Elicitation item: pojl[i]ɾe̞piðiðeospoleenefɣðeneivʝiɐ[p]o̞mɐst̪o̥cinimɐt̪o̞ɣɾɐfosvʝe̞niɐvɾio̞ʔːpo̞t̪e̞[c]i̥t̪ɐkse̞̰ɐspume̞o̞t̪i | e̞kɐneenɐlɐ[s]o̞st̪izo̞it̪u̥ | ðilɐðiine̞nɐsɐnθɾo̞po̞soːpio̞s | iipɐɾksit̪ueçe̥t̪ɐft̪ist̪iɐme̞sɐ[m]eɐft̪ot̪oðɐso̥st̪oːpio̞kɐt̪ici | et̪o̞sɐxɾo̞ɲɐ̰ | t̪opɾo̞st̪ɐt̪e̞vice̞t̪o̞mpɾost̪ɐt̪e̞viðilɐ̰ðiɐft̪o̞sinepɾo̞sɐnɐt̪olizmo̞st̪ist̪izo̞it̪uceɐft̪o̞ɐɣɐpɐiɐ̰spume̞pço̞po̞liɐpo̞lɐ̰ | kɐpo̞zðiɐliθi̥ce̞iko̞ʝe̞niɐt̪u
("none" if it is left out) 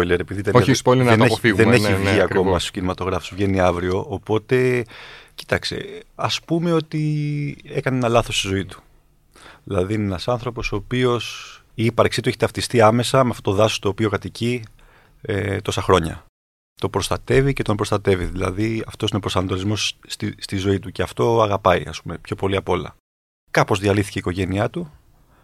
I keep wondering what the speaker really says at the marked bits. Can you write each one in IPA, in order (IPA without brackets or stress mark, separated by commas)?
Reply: e, k, c, θ, m